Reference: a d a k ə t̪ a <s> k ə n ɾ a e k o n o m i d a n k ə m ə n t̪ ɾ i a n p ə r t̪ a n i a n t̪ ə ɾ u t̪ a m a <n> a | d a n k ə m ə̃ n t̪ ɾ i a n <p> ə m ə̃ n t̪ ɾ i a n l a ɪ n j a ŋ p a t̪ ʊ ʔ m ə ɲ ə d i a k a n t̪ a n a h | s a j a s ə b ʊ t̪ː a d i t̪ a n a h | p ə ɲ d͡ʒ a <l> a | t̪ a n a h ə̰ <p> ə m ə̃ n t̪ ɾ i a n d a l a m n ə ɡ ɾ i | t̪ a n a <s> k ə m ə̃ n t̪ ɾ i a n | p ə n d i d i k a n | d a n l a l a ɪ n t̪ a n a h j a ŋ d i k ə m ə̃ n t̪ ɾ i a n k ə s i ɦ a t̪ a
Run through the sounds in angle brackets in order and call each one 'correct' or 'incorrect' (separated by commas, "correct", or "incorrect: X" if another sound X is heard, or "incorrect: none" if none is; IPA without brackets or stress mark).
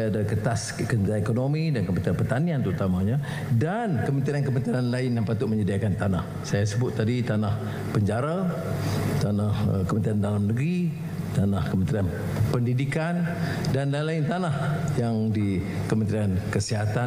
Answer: correct, incorrect: ɲ, incorrect: k, incorrect: ɾ, incorrect: k, incorrect: h